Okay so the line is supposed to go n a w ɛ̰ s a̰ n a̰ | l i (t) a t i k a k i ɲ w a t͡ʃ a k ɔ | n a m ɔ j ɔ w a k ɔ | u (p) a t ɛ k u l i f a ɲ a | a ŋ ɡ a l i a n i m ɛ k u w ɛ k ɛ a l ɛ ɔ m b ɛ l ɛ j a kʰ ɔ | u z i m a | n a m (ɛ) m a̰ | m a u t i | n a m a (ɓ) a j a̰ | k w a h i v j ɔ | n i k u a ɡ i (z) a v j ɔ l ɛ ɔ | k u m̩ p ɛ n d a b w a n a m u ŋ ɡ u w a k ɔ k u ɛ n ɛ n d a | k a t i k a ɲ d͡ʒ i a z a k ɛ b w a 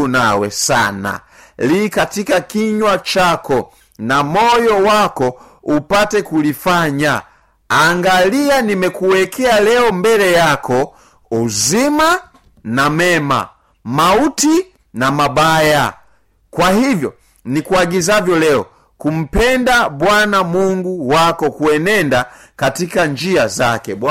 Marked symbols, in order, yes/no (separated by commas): no, yes, yes, no, yes